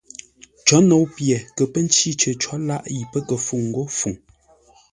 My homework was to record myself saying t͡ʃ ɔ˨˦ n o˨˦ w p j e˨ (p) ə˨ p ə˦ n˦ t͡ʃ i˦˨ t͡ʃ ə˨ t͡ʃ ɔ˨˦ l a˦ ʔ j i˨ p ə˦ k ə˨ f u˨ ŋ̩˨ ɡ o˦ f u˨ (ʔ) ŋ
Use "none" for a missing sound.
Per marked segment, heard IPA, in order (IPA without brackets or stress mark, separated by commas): k, none